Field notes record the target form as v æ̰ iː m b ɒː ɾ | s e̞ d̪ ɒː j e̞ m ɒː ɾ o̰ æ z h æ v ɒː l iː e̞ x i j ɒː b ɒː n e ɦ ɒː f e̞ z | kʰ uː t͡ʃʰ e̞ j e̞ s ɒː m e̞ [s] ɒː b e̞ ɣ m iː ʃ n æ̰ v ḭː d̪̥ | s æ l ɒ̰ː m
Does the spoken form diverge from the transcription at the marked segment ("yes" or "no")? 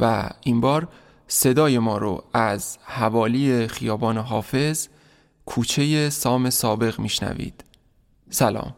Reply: no